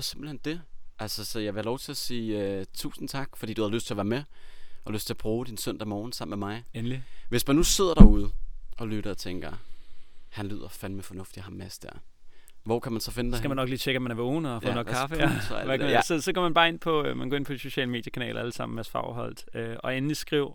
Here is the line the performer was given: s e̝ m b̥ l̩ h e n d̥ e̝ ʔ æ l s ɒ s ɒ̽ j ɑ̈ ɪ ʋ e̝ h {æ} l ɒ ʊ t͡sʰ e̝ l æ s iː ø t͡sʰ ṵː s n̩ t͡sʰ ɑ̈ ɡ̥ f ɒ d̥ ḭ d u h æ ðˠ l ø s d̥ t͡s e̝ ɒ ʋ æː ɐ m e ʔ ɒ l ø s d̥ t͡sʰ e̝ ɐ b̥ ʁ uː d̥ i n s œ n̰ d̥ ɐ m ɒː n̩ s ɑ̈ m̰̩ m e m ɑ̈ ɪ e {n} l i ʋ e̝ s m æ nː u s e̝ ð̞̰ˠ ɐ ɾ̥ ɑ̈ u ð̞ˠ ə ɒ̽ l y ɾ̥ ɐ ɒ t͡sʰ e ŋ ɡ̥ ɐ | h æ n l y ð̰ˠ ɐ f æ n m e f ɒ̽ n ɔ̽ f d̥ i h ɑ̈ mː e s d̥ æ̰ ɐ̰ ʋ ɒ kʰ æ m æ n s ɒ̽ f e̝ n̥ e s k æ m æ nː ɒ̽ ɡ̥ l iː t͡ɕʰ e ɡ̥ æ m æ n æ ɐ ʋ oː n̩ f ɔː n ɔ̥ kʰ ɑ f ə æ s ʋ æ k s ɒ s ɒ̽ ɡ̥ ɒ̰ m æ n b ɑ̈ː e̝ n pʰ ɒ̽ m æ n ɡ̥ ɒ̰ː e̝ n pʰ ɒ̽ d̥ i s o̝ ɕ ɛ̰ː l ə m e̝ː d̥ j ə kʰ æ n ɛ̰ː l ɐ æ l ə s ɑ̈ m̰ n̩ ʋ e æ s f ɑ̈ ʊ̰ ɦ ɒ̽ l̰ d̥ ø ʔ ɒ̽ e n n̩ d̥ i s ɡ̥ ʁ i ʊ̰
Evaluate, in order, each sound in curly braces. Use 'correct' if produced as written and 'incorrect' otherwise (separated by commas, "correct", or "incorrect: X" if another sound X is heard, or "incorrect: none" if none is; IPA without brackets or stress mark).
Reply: correct, correct